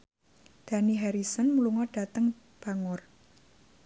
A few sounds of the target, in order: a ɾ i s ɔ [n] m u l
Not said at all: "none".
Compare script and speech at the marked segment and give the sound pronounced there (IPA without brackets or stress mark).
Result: n